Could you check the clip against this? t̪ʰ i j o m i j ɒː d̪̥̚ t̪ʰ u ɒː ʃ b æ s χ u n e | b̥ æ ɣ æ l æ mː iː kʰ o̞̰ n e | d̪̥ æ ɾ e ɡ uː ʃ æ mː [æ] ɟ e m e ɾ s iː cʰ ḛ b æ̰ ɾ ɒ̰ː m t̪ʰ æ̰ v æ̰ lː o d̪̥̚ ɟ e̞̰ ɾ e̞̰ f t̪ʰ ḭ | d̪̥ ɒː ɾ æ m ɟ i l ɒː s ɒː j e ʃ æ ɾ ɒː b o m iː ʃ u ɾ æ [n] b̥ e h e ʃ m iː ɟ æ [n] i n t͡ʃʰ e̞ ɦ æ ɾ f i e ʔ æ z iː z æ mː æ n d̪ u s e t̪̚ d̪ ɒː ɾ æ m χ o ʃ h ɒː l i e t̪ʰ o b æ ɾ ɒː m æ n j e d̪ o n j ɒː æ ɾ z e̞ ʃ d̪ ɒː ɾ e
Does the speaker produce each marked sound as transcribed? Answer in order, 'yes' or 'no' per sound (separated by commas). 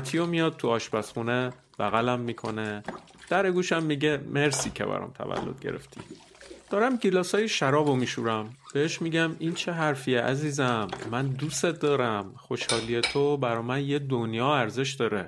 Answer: no, no, no